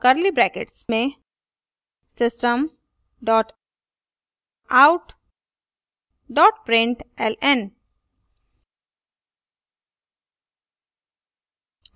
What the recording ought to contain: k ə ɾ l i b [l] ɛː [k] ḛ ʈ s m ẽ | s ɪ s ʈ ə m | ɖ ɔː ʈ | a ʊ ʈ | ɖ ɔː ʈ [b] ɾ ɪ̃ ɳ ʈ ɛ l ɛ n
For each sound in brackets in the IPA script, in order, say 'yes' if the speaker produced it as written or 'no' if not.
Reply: no, yes, no

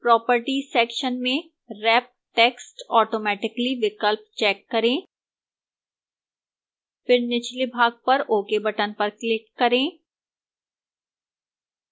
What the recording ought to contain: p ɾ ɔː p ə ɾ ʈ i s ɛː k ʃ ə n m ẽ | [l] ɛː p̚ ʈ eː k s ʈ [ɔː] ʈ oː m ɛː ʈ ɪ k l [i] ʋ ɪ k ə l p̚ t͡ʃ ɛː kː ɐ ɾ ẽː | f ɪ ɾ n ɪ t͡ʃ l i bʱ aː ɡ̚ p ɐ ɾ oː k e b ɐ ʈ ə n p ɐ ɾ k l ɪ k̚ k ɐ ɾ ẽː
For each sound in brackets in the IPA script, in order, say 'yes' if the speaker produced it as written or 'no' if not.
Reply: no, yes, yes

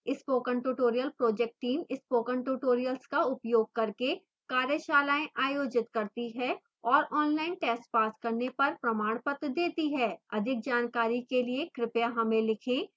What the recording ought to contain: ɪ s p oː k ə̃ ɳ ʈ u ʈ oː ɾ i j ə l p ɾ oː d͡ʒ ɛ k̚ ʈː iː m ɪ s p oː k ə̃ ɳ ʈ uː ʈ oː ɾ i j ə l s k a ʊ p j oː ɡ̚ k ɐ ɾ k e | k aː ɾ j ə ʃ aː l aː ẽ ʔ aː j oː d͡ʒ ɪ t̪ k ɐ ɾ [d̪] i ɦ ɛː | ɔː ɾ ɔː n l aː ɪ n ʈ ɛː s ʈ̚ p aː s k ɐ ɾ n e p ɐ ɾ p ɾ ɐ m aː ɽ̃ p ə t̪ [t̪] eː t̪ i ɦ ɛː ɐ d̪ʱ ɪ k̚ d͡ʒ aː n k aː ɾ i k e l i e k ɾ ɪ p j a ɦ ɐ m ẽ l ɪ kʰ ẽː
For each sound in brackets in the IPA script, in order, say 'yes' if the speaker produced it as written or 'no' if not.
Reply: no, no

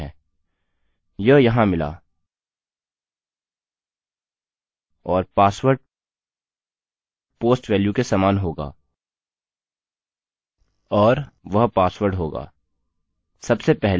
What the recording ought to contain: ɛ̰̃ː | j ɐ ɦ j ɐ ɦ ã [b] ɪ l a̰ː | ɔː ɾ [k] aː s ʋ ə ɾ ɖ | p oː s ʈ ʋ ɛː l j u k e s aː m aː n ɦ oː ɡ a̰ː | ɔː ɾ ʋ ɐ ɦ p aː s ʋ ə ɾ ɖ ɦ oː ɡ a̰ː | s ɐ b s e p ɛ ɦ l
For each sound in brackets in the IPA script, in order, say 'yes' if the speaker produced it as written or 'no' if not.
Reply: no, no

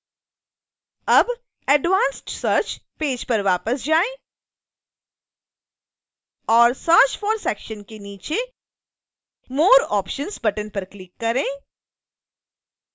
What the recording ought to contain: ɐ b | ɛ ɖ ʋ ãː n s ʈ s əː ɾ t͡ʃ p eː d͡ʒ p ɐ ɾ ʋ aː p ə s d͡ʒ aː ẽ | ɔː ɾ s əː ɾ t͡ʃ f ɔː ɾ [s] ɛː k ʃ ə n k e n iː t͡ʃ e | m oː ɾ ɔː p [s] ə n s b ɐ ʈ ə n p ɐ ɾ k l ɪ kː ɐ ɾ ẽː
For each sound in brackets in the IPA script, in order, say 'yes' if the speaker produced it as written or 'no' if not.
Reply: yes, no

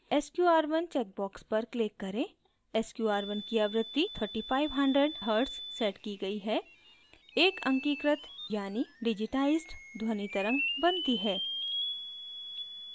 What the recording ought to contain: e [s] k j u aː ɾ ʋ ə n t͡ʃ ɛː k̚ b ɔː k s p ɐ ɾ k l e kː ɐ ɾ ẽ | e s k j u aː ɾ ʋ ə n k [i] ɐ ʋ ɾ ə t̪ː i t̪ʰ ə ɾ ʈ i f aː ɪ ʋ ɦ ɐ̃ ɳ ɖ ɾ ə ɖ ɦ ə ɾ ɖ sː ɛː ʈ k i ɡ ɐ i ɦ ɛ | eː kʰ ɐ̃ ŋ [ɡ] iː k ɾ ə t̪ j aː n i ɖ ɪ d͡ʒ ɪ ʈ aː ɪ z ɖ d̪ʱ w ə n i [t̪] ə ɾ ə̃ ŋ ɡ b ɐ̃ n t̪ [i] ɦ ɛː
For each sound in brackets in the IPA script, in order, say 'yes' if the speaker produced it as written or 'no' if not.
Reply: yes, yes, no, yes, yes

